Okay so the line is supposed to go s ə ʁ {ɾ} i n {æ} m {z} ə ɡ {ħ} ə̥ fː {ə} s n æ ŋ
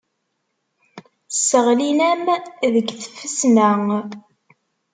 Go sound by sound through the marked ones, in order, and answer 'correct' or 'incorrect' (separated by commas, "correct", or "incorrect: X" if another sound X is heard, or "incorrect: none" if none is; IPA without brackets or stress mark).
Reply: incorrect: l, correct, incorrect: ð, incorrect: θ, correct